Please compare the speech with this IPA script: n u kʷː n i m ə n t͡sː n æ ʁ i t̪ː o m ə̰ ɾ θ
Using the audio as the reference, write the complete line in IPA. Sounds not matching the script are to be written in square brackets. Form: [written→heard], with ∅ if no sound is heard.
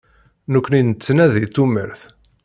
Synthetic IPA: n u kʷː n i [m→n] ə [n→∅] t͡sː n æ [ʁ→ð] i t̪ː [o→u] m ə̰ ɾ θ